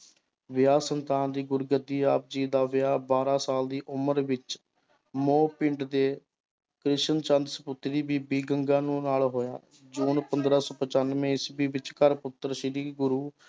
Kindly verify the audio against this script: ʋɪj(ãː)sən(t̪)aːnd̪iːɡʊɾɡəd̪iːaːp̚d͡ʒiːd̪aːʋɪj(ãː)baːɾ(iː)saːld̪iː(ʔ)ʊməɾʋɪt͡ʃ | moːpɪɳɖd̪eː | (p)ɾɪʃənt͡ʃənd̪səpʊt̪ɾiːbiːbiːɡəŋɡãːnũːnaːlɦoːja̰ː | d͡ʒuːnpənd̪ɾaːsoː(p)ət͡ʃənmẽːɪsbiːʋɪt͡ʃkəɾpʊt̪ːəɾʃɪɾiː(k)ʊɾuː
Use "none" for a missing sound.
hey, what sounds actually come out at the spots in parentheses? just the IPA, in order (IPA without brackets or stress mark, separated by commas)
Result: aː, t̪, aː, aː, ʔ, k, p, ɡ